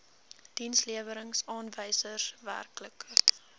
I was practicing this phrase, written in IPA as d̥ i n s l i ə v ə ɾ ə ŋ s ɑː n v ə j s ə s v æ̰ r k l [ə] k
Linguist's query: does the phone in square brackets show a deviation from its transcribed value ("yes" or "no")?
no